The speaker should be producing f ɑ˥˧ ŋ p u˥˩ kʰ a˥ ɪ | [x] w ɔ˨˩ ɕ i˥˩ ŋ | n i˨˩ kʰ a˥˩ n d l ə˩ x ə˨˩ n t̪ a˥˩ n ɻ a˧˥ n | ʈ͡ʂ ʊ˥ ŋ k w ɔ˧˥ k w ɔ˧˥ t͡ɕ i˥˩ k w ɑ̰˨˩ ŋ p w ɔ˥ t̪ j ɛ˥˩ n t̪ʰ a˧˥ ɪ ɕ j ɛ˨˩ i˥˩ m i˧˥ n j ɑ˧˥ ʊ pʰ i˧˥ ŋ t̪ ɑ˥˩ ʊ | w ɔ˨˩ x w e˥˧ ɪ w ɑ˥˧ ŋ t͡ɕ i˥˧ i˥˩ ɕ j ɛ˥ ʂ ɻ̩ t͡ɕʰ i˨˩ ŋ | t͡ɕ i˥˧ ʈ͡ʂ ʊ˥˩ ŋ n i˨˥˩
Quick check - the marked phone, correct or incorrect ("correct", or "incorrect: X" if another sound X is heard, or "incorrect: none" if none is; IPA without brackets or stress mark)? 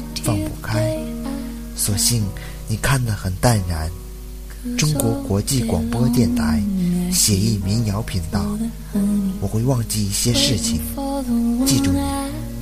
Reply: incorrect: s